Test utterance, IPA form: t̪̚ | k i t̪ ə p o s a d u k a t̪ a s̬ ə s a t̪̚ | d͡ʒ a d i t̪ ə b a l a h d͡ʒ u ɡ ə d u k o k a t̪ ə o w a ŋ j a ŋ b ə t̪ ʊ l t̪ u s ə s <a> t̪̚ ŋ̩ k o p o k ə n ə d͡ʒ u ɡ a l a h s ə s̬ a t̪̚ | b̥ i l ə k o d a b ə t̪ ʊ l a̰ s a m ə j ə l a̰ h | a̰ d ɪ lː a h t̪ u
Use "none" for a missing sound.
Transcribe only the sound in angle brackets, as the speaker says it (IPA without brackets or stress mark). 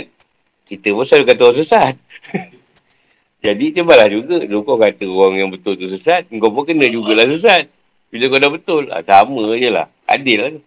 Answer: a